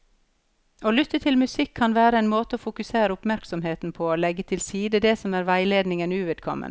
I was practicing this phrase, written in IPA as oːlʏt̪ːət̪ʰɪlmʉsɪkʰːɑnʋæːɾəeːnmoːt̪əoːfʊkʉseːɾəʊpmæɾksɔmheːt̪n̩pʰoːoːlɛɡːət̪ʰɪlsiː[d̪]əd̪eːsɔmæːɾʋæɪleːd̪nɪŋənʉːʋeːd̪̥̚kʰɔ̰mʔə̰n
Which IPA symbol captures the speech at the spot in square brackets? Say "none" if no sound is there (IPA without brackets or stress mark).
d̪